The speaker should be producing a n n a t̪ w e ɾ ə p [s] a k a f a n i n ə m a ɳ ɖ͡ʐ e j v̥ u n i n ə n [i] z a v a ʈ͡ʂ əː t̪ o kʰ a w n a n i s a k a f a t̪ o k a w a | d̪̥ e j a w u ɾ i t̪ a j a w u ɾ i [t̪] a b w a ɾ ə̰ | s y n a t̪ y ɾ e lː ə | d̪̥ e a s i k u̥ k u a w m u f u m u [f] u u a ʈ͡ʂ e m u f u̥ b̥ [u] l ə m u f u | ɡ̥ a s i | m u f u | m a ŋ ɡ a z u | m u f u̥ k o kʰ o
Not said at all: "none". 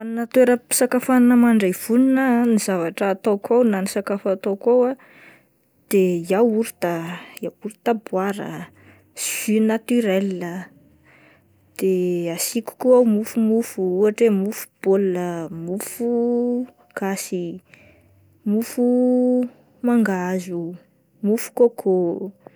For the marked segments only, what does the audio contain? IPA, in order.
s, i, t̪, f, o

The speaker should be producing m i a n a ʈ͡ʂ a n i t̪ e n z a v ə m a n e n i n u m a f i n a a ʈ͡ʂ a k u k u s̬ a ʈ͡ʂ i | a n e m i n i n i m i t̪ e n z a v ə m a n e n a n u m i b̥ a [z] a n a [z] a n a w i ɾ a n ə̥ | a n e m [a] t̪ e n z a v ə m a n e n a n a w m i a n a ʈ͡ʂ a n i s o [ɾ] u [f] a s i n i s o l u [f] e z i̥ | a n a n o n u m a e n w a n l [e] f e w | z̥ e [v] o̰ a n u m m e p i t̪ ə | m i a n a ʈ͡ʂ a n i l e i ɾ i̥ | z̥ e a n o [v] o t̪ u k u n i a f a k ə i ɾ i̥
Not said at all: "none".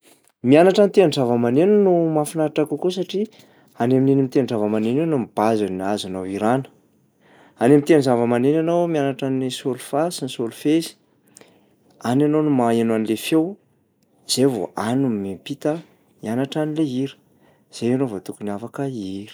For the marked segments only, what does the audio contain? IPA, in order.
z, z, i, l, f, f, e, v, v

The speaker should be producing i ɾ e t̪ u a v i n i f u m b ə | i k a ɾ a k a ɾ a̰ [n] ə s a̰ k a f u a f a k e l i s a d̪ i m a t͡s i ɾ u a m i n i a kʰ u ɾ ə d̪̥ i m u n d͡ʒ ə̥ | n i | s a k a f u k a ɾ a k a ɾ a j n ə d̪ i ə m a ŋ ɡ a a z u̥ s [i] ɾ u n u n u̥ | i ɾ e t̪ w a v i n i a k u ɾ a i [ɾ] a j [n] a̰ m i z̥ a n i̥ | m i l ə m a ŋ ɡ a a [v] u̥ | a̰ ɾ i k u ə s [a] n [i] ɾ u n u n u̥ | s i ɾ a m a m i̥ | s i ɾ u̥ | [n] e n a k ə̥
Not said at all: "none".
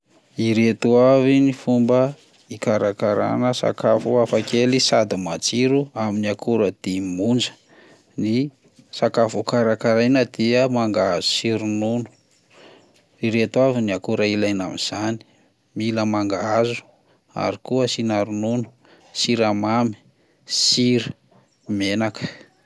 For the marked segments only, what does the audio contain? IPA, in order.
n, i, l, n, z, i, a, m

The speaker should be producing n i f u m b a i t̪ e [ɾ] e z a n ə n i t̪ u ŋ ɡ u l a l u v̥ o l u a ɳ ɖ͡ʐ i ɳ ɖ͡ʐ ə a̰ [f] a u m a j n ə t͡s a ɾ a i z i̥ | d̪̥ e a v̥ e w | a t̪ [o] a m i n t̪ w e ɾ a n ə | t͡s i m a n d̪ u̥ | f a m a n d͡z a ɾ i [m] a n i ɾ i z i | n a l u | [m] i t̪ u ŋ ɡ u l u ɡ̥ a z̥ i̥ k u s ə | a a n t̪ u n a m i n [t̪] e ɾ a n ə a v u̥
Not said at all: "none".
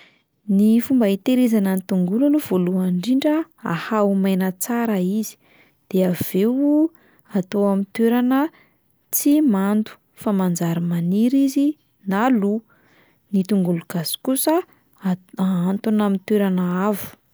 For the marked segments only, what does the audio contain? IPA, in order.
ɾ, h, o, m, n, t̪

